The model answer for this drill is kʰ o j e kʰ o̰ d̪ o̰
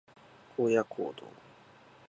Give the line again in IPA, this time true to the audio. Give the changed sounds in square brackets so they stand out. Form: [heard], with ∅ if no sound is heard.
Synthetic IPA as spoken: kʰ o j [a] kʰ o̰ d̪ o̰

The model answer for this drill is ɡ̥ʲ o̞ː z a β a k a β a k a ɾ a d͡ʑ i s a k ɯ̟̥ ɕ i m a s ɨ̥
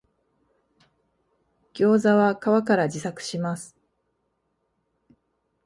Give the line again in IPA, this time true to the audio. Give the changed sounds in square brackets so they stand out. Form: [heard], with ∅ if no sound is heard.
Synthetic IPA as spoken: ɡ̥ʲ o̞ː z a β a k a β a k a ɾ a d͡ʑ i s a k ɯ̟̥ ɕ i m a s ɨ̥

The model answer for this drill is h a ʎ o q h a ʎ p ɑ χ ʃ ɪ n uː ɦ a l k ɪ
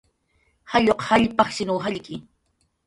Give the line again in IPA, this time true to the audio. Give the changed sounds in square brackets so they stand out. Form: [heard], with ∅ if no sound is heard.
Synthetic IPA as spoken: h a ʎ o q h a ʎ p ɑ χ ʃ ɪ n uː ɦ a [ʎ] k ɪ

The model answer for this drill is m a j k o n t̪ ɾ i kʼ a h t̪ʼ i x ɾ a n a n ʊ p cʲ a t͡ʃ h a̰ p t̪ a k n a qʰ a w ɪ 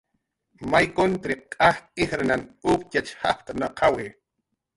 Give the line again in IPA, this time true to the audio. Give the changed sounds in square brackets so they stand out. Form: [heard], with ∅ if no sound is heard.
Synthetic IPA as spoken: m a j k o n t̪ ɾ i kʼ a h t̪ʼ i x ɾ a n a n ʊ p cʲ a t͡ʃ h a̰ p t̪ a [∅] n a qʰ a w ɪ

